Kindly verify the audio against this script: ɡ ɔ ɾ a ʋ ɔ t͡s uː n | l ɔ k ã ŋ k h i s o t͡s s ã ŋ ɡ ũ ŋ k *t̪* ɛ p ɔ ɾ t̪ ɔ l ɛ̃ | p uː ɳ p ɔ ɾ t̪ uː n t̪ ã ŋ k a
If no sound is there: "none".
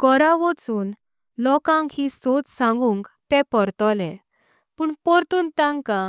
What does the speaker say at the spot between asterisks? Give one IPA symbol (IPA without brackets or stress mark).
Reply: t̪